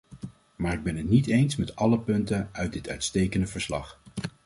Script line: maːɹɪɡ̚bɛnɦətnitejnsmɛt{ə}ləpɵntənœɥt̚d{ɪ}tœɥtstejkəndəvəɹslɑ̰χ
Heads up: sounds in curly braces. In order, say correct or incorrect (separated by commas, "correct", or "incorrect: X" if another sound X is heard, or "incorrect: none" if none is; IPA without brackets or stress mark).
incorrect: ɑ, correct